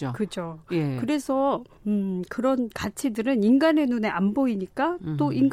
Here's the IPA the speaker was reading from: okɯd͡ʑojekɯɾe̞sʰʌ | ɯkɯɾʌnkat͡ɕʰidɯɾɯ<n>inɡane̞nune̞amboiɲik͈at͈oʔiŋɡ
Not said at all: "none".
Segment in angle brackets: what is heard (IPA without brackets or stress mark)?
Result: n